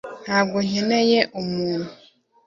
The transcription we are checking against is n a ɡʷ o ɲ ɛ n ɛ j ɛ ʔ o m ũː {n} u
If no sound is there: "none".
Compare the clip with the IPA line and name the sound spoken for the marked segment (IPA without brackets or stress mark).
n